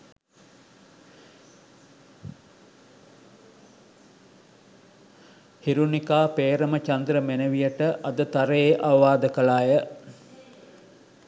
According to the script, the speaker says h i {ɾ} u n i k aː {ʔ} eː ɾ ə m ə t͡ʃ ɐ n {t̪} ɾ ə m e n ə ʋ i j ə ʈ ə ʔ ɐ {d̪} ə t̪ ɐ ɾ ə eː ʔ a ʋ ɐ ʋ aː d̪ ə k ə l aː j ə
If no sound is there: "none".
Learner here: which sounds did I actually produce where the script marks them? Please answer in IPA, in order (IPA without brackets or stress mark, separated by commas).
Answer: ɾ, p, d̪, d̪